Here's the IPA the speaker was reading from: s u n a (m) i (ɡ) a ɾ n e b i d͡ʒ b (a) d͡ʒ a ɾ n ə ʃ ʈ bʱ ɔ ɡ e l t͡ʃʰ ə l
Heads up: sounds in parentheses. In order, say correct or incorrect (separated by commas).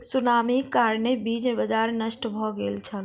correct, incorrect, incorrect